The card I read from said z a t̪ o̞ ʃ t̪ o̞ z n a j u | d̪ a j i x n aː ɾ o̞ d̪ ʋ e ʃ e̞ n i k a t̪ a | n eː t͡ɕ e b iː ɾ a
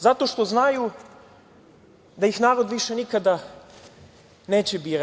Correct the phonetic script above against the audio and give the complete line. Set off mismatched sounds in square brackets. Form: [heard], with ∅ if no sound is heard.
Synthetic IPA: z a t̪ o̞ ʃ t̪ o̞ z n a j u | d̪ a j i x n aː ɾ o̞ d̪ ʋ [i] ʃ e̞ n i k a [d̪] a | n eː t͡ɕ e b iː ɾ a